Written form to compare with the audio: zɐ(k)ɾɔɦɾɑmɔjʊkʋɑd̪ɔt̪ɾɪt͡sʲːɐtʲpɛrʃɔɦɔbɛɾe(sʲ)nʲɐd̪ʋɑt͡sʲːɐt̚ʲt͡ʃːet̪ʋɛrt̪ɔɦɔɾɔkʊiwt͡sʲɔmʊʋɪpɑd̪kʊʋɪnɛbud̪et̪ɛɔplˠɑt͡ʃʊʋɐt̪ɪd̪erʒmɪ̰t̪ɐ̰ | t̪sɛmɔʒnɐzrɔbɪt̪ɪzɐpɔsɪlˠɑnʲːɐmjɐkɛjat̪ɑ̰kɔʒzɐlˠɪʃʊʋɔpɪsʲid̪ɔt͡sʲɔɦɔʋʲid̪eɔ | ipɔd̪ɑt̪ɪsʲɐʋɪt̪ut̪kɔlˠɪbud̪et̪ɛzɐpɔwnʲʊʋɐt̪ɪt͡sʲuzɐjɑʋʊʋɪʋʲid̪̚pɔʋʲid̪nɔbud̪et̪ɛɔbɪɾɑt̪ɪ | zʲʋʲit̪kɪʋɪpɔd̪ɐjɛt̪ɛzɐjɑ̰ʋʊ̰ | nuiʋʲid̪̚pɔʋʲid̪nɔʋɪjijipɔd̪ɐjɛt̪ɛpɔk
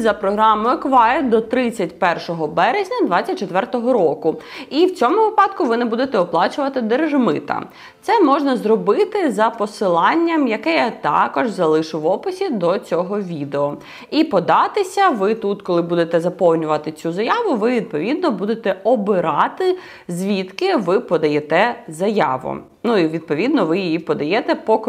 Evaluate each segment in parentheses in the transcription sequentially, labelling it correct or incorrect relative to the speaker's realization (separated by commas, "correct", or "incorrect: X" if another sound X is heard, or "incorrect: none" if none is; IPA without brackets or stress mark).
incorrect: p, incorrect: zʲ